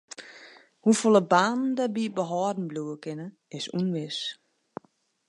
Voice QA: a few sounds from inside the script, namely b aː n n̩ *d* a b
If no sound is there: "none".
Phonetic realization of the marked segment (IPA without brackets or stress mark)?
d